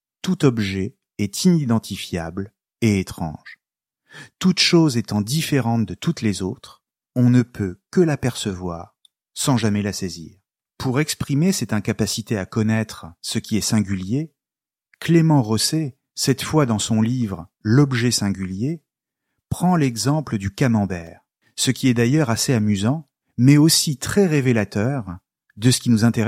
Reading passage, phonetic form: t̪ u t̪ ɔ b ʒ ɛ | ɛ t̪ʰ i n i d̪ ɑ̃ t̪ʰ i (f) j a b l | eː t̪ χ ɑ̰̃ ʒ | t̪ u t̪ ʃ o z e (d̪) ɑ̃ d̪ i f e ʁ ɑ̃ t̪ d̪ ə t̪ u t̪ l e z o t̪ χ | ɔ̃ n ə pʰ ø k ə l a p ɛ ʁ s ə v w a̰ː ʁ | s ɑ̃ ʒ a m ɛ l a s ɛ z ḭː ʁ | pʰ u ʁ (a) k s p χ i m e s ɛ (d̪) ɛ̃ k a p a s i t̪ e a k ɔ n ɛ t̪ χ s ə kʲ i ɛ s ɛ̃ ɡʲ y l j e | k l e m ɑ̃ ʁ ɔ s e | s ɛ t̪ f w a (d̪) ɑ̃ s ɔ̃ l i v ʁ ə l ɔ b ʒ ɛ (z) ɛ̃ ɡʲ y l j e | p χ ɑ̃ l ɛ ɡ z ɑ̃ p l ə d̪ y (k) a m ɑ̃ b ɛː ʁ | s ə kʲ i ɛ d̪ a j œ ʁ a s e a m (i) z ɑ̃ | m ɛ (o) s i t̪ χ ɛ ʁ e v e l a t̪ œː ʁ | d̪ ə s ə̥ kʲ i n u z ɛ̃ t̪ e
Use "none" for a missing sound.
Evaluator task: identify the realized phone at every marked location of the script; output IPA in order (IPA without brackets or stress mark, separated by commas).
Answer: f, t̪, ɛ, t̪, d̪, s, k, y, o